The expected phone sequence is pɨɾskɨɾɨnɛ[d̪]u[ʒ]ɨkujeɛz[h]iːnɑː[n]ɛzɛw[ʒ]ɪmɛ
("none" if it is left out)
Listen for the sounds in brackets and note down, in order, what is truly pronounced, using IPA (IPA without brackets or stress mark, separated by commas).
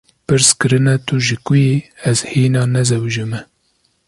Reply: t̪, ʒ, h, n, ʒ